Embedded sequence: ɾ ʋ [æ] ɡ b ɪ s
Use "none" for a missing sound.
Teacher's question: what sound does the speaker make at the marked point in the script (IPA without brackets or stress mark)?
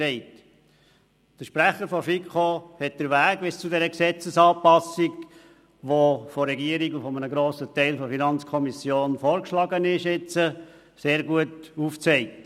æː